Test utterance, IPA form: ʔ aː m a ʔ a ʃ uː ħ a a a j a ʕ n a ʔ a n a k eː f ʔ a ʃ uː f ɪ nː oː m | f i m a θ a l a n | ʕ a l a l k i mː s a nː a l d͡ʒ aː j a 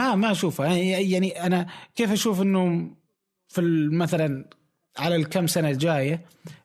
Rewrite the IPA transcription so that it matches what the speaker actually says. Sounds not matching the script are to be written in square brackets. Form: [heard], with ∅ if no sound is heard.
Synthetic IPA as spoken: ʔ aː m a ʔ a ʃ uː [f] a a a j a ʕ n [i] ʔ a n a k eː f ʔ a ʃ uː f ɪ nː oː m | f i m a θ a l a n | ʕ a l a l k [a] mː s a [n] a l d͡ʒ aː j a